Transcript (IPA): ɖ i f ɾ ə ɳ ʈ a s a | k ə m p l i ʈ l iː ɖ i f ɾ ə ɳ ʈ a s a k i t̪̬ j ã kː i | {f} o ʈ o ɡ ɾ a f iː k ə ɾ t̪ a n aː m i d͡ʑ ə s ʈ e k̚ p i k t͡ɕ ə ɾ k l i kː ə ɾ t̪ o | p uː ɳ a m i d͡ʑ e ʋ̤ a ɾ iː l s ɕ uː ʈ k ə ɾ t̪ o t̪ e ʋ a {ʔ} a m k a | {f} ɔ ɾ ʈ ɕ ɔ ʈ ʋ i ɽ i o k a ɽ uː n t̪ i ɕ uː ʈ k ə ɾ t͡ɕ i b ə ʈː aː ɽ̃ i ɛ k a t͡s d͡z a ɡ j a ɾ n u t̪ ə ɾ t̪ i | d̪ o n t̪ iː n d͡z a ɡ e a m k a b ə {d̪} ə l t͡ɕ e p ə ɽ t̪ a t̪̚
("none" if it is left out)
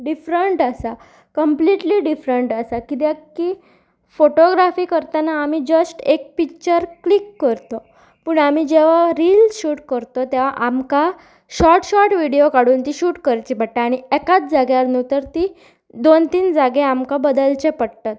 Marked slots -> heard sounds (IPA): f, ʔ, ɕ, d̪

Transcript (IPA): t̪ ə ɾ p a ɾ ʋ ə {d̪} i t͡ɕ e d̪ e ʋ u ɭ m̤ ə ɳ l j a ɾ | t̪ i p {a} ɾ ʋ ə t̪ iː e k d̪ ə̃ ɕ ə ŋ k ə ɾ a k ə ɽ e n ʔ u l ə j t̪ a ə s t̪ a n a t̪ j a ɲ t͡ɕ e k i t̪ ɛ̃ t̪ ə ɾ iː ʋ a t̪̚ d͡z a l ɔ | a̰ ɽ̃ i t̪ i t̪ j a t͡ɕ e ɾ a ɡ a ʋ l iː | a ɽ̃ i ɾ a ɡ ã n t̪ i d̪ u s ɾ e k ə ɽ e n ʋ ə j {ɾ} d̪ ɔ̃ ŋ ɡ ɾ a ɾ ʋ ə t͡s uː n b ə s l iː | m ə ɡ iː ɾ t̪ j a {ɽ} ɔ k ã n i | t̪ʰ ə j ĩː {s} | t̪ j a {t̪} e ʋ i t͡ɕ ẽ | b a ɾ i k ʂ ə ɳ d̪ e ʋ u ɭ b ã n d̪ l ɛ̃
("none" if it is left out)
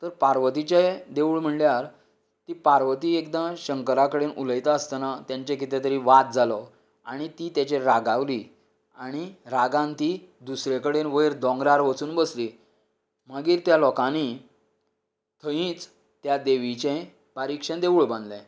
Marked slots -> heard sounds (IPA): t̪, a, ɾ, l, t͡s, d̪

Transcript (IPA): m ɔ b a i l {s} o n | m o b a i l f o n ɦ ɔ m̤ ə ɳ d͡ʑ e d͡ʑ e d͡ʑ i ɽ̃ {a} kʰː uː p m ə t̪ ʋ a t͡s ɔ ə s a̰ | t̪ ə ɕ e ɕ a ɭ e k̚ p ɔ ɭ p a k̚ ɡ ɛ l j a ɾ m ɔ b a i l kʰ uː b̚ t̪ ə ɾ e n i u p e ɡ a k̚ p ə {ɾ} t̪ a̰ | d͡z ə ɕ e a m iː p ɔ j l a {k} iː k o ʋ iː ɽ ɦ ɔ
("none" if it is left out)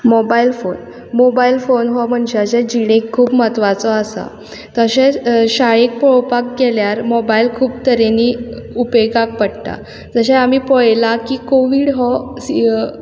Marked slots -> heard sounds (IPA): f, e, ɽ, k

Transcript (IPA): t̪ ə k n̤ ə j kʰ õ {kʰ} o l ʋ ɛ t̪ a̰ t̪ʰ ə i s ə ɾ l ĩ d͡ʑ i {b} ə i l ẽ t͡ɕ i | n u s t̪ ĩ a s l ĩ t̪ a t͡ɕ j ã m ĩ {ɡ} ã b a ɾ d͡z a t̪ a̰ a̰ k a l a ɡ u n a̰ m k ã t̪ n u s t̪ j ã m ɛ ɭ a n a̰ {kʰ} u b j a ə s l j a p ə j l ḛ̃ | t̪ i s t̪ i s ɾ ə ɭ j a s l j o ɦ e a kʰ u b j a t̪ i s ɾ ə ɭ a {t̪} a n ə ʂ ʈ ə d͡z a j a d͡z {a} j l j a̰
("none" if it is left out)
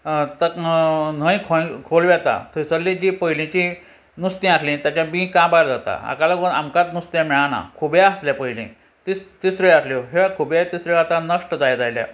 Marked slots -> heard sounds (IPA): kʰ, p, k, kʰ, t̪, a

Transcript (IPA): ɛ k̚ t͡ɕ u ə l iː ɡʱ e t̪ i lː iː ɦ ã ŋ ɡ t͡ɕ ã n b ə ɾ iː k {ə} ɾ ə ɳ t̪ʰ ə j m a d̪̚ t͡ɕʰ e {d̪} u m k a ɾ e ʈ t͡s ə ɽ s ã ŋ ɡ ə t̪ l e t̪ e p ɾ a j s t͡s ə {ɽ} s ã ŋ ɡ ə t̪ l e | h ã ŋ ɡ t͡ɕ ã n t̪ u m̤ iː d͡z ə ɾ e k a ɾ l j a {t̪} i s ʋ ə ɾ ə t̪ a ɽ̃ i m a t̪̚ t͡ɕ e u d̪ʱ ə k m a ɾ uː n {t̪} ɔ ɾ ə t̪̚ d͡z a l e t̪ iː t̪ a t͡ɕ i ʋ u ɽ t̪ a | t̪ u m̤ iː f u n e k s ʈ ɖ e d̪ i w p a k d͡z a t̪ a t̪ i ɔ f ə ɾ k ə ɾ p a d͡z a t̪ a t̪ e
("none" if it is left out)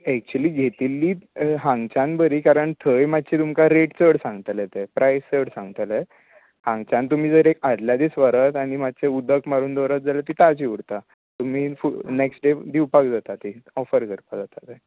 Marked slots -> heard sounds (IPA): a, t̪, ɽ, d̪, d̪

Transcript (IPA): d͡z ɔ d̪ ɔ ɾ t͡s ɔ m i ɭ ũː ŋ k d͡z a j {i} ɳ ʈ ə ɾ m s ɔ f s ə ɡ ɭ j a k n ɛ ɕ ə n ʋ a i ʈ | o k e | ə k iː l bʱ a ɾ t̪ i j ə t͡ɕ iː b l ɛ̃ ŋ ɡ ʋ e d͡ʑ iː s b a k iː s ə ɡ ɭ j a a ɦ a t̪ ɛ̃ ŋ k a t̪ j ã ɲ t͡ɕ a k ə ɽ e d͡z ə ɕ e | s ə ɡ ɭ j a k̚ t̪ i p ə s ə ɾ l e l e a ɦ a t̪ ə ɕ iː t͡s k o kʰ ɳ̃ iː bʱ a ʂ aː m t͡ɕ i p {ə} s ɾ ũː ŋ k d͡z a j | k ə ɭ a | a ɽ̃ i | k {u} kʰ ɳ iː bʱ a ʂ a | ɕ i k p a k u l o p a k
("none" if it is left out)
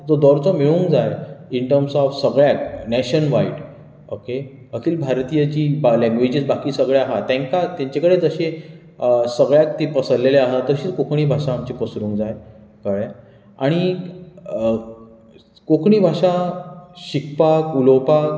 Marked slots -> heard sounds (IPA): i, ə, o

